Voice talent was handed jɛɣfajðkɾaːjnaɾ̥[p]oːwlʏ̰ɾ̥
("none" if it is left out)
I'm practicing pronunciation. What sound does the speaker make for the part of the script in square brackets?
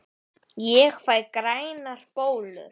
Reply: p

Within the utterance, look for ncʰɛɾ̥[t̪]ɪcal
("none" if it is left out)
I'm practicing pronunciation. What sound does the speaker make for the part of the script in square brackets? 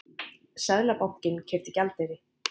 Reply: t̪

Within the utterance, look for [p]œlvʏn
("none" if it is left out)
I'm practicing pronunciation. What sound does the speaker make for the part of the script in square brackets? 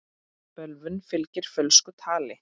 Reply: p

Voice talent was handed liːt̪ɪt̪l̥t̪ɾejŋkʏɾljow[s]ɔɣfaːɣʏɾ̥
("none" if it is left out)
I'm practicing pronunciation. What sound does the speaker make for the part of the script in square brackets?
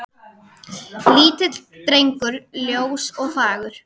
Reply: s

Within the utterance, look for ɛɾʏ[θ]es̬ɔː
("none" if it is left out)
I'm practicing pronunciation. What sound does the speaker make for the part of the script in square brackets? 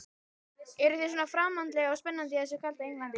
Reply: θ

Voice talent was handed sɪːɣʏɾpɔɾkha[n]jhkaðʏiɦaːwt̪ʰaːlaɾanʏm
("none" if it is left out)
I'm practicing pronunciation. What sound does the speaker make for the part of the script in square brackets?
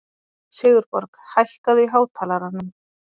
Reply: none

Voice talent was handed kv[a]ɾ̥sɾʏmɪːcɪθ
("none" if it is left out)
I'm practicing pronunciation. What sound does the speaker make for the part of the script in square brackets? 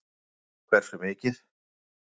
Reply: ɛ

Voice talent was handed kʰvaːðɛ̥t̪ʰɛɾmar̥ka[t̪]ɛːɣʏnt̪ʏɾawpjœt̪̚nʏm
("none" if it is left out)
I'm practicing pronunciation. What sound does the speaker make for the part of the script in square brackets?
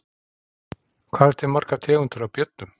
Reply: t̪ʰ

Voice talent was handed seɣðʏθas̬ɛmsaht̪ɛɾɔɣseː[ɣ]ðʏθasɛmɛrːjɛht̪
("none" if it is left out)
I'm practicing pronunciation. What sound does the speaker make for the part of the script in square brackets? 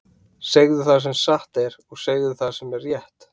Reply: ɣ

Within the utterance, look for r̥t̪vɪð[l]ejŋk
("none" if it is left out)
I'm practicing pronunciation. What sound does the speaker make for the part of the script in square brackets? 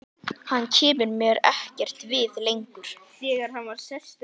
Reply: l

